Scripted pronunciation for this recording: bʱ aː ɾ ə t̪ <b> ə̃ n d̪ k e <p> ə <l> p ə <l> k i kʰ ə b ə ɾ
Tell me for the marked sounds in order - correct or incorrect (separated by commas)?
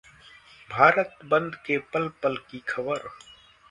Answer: correct, correct, correct, correct